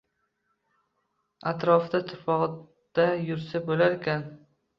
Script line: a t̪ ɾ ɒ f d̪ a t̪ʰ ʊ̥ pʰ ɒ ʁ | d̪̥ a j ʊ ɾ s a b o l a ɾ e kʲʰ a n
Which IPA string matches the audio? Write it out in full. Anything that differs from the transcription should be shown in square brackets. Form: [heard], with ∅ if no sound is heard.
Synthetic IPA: a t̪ ɾ ɒ f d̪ a t̪ʰ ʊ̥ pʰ ɒ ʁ | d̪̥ a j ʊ ɾ s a b o l a ɾ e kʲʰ a n